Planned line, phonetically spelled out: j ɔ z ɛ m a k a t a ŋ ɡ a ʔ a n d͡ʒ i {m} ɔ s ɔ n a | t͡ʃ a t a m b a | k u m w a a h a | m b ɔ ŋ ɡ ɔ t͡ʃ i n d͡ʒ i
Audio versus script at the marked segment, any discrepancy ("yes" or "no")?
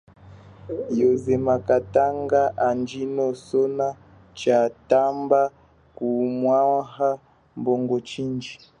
yes